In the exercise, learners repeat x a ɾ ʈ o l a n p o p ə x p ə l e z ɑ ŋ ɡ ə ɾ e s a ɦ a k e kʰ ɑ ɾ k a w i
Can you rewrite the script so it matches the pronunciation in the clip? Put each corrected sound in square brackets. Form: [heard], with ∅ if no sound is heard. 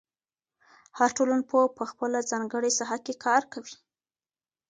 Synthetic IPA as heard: [h] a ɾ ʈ o l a n p o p ə x p ə l [a] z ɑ ŋ ɡ ə [ɽ] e s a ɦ a k e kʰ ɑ ɾ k a w i

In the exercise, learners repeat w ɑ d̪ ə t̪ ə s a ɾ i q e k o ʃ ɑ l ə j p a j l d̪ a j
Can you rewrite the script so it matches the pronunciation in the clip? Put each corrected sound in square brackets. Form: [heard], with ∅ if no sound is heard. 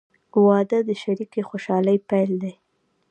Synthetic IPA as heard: w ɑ d̪ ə [d̪] ə [ʃ] a ɾ i [k] e [x] o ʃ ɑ l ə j p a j l d̪ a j

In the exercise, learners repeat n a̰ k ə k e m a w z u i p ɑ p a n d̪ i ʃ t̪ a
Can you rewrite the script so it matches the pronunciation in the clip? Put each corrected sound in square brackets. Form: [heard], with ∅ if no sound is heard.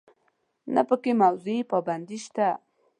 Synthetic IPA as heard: n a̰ [p] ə k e m a w z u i p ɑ [b] a n d̪ i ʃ t̪ a

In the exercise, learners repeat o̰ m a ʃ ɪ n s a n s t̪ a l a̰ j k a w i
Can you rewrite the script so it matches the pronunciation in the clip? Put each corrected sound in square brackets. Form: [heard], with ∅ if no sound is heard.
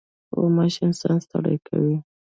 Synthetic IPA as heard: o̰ m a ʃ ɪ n s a n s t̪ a [ɽ] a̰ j k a w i

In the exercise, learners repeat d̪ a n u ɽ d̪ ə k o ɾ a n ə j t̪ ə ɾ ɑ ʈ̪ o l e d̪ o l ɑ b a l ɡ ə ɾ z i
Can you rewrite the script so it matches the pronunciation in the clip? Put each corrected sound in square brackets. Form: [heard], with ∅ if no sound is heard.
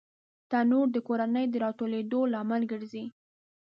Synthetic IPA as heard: [t̪] a n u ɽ d̪ ə k o ɾ a n ə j [d̪] ə ɾ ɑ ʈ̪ o l e d̪ o l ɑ [m] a l ɡ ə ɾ z i

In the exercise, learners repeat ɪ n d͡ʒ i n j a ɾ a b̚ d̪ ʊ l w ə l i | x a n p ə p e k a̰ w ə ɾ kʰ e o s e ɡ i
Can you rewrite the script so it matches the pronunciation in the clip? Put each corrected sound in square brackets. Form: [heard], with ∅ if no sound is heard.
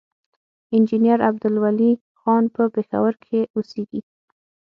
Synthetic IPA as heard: ɪ n d͡ʒ i n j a ɾ a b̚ d̪ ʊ l w [a] l i | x [ɑ] n p ə p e [x] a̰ w ə ɾ kʰ e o s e ɡ i

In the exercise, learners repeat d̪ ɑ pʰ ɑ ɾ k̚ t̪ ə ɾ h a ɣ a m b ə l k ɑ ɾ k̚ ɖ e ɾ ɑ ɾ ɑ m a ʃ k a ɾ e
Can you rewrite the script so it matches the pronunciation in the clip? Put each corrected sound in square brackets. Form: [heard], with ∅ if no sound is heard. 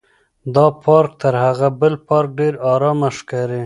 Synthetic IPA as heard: d̪ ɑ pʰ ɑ ɾ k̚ t̪ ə ɾ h a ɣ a [∅] b ə l [p] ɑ ɾ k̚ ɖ e ɾ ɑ ɾ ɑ m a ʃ k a ɾ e

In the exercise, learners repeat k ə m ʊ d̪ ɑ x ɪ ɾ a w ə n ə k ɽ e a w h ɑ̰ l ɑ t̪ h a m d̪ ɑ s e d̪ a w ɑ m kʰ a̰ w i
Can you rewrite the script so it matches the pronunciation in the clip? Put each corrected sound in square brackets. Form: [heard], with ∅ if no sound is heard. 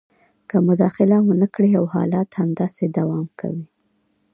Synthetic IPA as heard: k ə m ʊ d̪ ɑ x ɪ [l] a w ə n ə k ɽ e a w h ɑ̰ l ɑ t̪ h a m d̪ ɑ s e d̪ a w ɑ m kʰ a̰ w i

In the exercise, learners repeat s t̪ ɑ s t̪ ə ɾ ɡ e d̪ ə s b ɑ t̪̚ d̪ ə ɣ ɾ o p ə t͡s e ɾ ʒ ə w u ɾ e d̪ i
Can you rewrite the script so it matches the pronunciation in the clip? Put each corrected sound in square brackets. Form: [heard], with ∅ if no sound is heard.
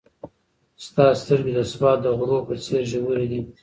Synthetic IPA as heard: s t̪ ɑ s t̪ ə ɾ ɡ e d̪ ə s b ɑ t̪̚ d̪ ə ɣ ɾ o p ə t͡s e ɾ ʒ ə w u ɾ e d̪ i

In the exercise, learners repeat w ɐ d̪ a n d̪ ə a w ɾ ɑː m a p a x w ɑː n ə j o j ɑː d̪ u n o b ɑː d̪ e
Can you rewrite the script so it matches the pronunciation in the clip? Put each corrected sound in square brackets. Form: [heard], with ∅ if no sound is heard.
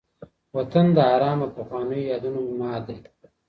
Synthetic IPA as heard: w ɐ [t̪] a n d̪ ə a [∅] ɾ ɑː m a p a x w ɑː n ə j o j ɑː d̪ u n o [m] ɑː d̪ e

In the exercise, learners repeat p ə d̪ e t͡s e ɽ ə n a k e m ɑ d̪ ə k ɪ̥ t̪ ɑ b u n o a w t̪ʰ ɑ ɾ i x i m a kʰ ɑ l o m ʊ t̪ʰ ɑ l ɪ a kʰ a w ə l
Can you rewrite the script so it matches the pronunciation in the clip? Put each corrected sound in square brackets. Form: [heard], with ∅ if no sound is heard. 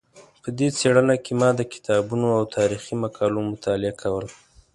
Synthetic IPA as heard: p ə d̪ e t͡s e ɽ ə n a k e m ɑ d̪ ə k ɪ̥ t̪ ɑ b u n o a w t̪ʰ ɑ ɾ i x i m a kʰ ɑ l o m ʊ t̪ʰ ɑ l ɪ a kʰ a w ə l

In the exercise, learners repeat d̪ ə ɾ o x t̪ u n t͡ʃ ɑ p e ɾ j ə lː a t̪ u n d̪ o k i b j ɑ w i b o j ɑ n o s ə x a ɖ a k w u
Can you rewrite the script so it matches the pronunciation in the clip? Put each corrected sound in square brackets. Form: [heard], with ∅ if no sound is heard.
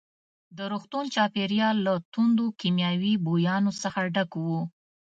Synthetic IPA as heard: d̪ ə ɾ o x t̪ u n t͡ʃ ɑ p e ɾ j [ɑ] lː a t̪ u n d̪ o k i [m] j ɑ w i b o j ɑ n o s ə x a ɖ a k w u

